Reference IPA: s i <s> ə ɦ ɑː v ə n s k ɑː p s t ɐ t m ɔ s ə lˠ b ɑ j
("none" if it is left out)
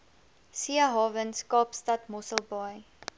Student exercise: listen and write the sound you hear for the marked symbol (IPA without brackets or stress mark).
none